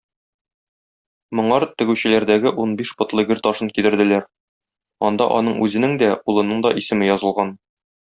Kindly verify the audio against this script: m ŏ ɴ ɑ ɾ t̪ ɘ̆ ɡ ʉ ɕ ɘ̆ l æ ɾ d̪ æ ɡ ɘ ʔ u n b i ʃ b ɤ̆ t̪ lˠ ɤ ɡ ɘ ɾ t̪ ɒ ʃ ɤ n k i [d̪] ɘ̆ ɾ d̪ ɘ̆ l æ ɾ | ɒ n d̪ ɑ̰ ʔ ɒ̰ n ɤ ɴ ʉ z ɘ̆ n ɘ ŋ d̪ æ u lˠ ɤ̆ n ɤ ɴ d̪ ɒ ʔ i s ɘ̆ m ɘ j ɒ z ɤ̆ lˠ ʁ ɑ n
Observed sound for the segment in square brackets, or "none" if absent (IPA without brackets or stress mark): d̪